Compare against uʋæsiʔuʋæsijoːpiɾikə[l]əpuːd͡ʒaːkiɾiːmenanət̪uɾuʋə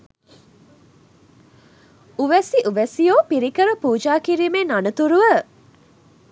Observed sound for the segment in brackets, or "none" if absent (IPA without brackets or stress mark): ɾ